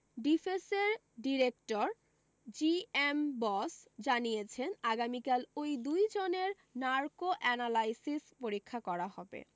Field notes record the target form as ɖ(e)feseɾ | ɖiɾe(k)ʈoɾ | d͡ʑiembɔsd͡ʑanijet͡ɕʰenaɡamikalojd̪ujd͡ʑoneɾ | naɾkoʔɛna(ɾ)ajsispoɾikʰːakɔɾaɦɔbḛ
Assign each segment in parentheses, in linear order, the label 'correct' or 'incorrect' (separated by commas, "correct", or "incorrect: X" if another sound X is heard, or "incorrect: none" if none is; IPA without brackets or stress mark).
incorrect: i, correct, incorrect: l